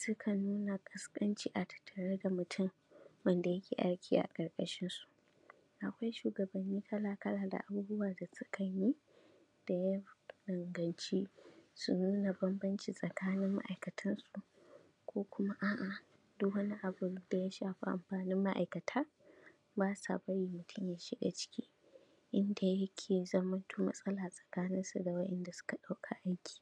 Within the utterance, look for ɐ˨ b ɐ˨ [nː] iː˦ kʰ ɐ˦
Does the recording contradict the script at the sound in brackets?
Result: no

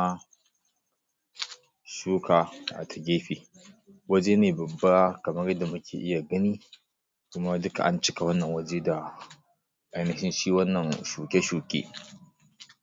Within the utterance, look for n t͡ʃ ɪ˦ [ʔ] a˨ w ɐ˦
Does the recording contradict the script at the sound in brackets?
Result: yes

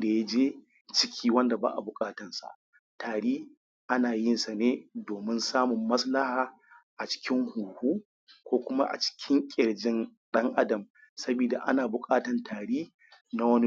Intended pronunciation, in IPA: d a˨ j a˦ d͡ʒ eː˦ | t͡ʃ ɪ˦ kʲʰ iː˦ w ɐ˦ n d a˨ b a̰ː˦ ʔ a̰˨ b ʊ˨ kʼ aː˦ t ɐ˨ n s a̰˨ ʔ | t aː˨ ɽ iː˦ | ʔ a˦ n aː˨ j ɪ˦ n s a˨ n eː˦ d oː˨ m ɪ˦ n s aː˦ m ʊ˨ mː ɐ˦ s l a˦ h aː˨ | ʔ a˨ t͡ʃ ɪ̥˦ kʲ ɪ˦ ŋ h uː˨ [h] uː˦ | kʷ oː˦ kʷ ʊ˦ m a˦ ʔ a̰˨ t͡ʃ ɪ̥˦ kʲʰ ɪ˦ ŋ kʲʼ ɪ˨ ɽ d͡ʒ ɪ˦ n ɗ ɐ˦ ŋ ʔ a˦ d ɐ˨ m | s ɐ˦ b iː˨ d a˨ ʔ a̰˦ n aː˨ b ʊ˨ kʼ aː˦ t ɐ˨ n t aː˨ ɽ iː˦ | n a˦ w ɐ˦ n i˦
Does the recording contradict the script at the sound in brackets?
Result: no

